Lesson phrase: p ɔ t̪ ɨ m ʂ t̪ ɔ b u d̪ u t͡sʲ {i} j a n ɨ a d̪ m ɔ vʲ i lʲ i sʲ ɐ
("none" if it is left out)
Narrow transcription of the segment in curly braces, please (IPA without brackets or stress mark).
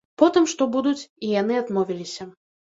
i